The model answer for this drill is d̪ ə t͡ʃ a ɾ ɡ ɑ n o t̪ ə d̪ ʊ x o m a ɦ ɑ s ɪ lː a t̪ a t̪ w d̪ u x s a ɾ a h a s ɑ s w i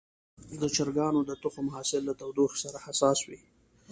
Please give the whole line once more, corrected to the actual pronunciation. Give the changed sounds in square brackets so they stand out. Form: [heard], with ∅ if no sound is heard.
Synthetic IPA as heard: d̪ ə t͡ʃ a ɾ ɡ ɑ n o [d̪] ə [t̪] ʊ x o m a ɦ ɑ s ɪ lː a t̪ a [∅] w d̪ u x s a ɾ a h a s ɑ s w i